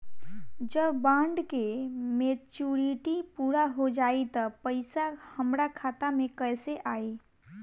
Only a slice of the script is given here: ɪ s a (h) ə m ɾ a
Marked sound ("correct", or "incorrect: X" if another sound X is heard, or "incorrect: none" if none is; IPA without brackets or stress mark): correct